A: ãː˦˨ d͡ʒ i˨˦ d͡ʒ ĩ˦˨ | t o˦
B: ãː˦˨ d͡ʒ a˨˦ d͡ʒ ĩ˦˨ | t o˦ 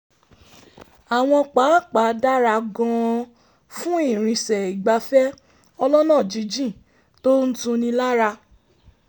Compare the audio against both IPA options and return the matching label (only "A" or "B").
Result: A